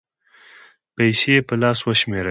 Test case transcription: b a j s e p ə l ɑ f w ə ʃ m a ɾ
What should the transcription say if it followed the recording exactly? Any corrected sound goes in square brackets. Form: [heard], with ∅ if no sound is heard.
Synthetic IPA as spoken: [p] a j s e p ə l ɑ [s] w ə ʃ m [e] ɾ